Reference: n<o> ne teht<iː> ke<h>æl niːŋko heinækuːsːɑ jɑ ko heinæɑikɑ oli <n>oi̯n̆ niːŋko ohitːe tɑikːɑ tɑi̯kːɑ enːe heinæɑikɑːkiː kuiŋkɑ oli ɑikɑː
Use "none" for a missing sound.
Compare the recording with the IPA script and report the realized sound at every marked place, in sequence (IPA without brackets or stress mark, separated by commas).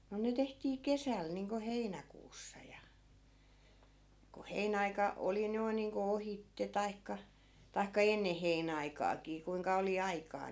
o, iː, s, n